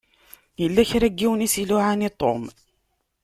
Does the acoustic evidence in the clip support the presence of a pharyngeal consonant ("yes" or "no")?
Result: yes